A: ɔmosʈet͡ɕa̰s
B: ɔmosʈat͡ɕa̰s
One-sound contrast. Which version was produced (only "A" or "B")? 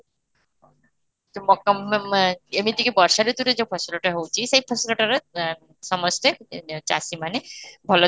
A